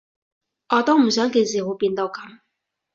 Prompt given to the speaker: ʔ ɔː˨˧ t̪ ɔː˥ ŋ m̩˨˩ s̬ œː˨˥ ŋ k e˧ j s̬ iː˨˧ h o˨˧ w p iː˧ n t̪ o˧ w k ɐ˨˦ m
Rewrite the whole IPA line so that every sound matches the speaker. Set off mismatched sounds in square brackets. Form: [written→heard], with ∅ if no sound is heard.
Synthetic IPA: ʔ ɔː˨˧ t̪ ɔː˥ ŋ m̩˨˩ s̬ œː˨˥ ŋ k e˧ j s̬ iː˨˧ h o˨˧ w p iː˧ n t̪ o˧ w k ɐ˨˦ m